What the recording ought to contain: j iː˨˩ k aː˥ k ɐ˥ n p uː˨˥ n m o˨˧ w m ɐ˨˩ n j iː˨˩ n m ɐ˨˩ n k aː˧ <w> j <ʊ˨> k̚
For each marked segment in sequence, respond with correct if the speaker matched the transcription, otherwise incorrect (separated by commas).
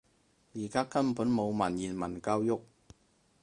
correct, incorrect